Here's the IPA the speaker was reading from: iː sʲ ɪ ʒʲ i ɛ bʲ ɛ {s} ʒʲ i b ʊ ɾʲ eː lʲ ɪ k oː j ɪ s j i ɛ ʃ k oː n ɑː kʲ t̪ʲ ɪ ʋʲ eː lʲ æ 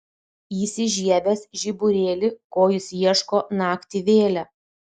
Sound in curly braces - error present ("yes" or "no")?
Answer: no